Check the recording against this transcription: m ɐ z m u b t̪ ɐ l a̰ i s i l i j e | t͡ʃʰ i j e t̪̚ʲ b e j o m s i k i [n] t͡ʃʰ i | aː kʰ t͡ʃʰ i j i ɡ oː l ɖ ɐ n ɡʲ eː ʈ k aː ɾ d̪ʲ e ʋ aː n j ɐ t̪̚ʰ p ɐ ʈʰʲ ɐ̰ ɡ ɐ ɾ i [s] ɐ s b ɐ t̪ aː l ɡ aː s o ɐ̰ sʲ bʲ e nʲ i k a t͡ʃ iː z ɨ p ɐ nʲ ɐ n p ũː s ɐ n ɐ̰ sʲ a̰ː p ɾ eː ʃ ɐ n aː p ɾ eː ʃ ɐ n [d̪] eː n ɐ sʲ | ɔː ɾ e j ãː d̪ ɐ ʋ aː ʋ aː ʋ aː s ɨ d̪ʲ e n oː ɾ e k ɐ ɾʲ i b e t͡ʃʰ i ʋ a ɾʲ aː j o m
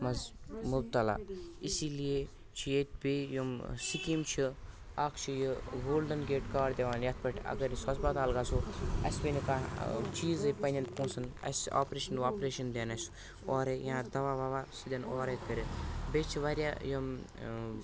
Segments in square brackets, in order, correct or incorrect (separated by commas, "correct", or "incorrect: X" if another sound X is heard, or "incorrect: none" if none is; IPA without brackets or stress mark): incorrect: m, correct, correct